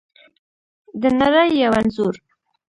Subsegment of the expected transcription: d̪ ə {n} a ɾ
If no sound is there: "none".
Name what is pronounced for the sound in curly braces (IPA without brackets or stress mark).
n